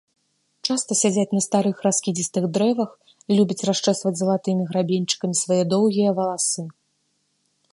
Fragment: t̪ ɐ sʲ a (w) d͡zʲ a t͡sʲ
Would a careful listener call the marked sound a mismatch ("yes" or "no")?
yes